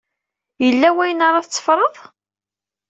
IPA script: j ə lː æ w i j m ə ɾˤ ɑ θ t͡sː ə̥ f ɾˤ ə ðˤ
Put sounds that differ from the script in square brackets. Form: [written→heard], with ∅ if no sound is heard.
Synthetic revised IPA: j ə lː æ w [i→æ] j [m→n] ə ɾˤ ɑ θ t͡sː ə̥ f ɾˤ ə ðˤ

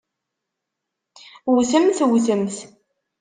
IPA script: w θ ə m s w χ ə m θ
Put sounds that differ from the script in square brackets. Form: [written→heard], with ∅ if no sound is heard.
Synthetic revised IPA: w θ ə m [s→θ] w [χ→θ] ə m θ

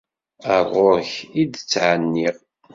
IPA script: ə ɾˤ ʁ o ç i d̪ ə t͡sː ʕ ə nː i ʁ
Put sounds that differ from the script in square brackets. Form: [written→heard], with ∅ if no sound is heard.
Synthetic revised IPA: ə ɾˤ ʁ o ç i d̪ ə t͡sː ʕ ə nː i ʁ

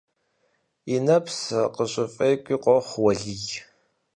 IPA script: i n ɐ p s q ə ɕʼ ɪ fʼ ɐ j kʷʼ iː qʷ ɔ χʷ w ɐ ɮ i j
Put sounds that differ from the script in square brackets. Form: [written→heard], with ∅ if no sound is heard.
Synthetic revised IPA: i n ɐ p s q ə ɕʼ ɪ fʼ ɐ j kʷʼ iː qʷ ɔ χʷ w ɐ ɮ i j

